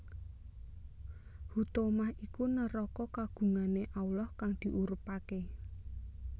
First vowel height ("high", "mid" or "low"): high